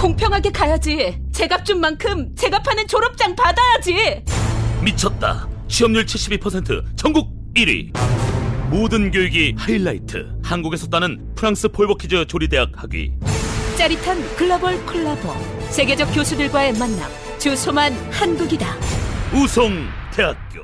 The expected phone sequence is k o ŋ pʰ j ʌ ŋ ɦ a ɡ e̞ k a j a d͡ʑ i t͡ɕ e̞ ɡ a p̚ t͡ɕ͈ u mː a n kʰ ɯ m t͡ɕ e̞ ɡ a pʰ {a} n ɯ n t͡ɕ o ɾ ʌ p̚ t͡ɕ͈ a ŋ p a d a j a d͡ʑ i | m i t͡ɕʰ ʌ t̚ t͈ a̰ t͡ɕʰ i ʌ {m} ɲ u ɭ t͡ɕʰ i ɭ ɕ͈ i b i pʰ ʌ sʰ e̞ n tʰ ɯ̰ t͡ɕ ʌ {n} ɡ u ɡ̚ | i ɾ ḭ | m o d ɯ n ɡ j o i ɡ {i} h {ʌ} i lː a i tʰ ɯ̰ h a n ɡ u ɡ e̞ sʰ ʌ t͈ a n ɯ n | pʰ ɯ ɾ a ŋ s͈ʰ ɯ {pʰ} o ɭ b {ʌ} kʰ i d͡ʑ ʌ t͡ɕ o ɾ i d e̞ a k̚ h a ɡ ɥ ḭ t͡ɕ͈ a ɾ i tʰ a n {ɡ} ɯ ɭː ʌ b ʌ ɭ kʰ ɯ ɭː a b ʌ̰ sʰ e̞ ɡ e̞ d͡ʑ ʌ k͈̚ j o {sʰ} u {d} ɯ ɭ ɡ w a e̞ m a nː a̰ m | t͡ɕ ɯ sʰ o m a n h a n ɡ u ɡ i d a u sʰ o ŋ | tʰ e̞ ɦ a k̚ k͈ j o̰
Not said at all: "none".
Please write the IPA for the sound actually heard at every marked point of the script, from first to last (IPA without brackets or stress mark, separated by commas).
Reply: a, m, ŋ, i, a, pʰ, ʌ, k, sʰ, d